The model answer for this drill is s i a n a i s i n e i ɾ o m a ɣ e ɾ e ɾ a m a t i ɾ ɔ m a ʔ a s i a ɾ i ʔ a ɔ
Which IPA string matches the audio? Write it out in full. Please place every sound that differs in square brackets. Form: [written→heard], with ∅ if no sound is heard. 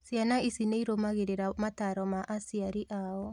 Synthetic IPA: s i a n a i s i n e i ɾ o m a ɣ e ɾ e ɾ a m a t [i→a] ɾ ɔ m a ʔ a s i a ɾ i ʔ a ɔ